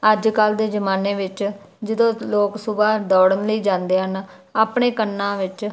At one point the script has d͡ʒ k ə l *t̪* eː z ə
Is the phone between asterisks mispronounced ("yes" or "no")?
yes